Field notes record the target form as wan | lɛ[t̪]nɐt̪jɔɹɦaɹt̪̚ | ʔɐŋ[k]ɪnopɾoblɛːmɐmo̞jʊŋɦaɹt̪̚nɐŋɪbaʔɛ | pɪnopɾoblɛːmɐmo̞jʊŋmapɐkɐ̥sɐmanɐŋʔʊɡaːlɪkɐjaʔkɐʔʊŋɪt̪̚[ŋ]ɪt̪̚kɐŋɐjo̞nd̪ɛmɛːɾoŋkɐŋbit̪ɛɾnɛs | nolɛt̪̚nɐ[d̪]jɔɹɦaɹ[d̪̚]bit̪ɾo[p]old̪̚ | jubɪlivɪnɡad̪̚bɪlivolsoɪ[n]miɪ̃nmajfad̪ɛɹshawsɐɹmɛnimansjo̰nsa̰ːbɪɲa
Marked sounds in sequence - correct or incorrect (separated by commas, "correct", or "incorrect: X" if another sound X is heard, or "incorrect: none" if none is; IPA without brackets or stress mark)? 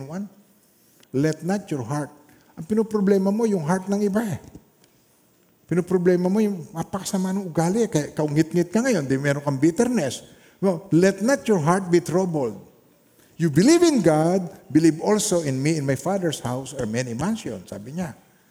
correct, incorrect: p, correct, incorrect: t̪, incorrect: t̪̚, incorrect: b, correct